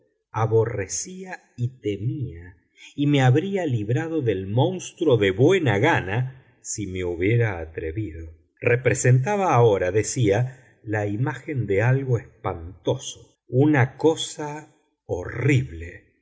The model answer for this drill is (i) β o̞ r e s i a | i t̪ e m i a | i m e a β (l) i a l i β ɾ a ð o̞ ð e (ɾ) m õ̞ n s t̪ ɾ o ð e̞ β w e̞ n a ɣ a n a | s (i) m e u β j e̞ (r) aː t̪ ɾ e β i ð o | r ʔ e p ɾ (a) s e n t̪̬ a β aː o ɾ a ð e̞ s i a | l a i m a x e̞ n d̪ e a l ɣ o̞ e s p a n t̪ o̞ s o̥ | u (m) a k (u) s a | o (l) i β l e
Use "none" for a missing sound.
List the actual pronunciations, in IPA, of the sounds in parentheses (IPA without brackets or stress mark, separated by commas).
a, ɾ, l, i, ɾ, e, n, o, r